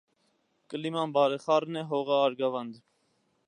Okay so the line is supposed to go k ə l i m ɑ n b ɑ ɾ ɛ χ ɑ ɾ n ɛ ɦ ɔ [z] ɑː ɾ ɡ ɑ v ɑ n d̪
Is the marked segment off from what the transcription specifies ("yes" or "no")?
yes